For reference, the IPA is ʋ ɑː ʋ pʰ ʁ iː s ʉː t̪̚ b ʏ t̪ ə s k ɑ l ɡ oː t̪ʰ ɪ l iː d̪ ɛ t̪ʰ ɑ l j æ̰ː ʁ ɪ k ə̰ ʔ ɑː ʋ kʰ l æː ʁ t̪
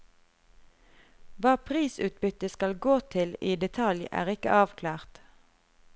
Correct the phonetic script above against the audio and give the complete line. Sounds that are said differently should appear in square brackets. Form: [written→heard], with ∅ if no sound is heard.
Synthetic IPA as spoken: ʋ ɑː [ʋ→∅] pʰ ʁ iː s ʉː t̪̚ b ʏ t̪ ə s k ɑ l ɡ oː t̪ʰ ɪ l iː d̪ ɛ t̪ʰ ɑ l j æ̰ː ʁ ɪ k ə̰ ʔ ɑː ʋ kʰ l æː ʁ t̪

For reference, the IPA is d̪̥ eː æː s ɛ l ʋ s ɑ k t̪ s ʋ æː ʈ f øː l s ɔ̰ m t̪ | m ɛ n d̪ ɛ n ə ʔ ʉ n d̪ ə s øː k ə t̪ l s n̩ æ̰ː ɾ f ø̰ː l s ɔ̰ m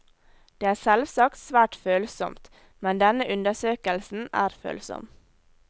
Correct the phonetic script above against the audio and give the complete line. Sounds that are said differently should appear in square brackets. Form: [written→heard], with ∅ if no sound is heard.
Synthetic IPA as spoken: d̪̥ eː æː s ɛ l ʋ s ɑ k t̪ s ʋ æː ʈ f øː l s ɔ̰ m t̪ | m ɛ n d̪ ɛ n ə ʔ ʉ n d̪ ə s øː k ə [t̪→∅] l s n̩ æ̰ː ɾ f ø̰ː l s ɔ̰ m

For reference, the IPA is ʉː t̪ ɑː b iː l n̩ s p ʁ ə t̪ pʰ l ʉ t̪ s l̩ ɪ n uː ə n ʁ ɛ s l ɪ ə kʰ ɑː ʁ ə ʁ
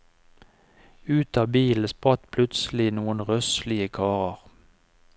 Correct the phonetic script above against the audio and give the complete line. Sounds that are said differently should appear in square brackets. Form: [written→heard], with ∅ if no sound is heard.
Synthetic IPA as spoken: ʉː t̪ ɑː b iː l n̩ s p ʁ [ə→ɑ] t̪ pʰ l ʉ t̪ s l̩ ɪ n uː ə n ʁ [ɛ→œ] s l ɪ ə kʰ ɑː ʁ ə ʁ

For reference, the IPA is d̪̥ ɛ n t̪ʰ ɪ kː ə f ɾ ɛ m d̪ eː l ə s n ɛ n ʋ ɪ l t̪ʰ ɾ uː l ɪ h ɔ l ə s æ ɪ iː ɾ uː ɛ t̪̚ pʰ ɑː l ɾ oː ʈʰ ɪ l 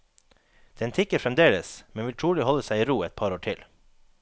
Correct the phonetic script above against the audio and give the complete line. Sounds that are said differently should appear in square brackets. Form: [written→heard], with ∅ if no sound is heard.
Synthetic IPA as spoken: d̪̥ ɛ n t̪ʰ ɪ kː ə f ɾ ɛ m d̪ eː l ə s [n→m] ɛ n ʋ ɪ l t̪ʰ ɾ uː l ɪ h ɔ l ə s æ ɪ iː ɾ uː ɛ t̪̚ pʰ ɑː [l→∅] ɾ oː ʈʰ ɪ l

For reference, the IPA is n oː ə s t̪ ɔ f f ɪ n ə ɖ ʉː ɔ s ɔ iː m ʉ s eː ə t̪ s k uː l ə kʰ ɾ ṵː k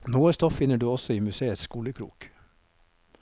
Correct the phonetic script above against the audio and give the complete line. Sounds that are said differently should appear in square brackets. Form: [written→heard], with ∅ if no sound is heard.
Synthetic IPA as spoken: n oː ə s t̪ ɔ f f ɪ n ə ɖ ʉː ɔ s ɔ iː m ʉ s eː ə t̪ s k uː l ə kʰ ɾ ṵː k

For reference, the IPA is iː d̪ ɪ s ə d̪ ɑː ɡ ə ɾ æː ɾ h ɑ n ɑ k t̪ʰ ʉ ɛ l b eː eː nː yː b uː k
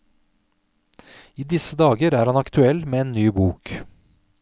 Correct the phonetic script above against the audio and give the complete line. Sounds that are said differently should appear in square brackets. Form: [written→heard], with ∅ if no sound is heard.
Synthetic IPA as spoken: iː d̪ ɪ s ə d̪ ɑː ɡ ə ɾ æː ɾ h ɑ n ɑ k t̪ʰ ʉ ɛ l [b→m] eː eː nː yː b uː k

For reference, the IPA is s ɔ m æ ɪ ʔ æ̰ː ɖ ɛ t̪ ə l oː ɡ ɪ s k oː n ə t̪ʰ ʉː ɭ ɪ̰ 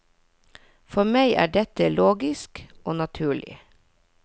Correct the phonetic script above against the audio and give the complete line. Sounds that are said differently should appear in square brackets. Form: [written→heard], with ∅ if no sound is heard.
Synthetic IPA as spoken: [s→f] ɔ m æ ɪ ʔ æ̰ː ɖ ɛ t̪ ə l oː ɡ ɪ s k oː n [ə→ɑ] t̪ʰ ʉː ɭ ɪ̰

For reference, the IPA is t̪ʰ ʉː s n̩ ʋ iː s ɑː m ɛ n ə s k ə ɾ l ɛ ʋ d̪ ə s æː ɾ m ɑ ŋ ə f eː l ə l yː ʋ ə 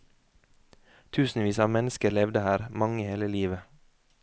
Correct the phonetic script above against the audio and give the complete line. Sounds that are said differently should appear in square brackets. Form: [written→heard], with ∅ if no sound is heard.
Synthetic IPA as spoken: t̪ʰ ʉː s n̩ ʋ iː s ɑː m ɛ n ə s k ə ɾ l ɛ ʋ d̪ ə [s→h] æː ɾ m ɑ ŋ ə [f→h] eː l ə l [yː→iː] ʋ ə

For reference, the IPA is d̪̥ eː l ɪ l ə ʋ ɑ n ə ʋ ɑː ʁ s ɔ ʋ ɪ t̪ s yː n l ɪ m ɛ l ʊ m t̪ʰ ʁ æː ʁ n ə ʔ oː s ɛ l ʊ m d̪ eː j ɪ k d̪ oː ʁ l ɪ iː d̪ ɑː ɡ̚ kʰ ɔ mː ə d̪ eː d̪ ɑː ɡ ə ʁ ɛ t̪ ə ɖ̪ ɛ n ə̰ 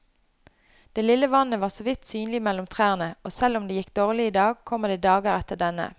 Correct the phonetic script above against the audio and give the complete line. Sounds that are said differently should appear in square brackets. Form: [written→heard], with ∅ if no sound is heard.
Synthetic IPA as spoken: d̪̥ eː l ɪ l ə ʋ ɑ n ə ʋ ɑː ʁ s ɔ ʋ ɪ t̪ s yː n l ɪ m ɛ l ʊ m t̪ʰ ʁ æː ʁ n ə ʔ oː s ɛ l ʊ m d̪ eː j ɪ k d̪ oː ʁ l ɪ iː d̪ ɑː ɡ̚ kʰ ɔ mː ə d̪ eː d̪ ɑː ɡ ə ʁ ɛ t̪ ə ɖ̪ ɛ n ə̰

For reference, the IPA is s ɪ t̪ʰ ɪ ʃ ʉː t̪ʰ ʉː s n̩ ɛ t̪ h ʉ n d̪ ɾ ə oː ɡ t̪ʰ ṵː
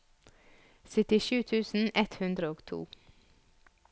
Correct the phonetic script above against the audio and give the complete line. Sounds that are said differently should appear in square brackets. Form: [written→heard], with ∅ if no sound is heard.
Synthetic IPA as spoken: s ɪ [t̪ʰ→t̪] ɪ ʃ ʉː t̪ʰ ʉː s n̩ ɛ t̪ h ʉ n d̪ ɾ ə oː ɡ t̪ʰ ṵː

